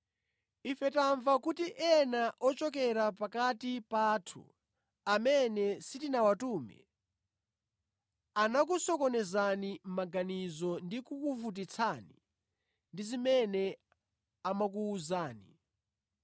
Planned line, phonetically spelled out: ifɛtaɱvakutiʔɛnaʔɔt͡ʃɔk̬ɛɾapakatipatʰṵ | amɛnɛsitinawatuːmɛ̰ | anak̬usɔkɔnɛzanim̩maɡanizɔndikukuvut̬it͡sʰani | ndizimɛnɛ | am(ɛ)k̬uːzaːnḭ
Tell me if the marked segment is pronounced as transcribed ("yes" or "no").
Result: no